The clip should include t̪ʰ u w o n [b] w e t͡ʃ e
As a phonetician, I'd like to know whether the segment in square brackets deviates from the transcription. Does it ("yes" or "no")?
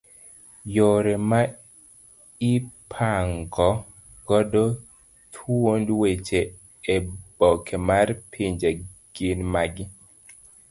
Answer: yes